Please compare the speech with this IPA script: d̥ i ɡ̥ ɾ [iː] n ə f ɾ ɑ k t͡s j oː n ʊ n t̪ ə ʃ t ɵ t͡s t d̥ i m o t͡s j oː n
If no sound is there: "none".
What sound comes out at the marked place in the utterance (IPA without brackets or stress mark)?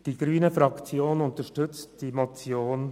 yː